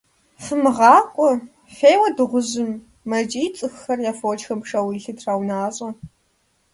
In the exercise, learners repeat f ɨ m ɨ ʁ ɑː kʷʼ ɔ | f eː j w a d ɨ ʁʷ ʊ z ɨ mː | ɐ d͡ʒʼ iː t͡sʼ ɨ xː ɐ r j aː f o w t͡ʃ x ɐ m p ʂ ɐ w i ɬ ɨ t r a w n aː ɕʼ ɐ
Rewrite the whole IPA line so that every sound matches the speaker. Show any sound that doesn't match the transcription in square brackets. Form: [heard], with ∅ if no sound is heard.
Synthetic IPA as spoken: f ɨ m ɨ ʁ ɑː kʷʼ ɔ | f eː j w [ɐ] d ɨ ʁʷ ʊ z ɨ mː | ɐ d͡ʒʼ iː t͡sʼ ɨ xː ɐ r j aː f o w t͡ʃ x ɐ m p ʂ ɐ w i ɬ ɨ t r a w n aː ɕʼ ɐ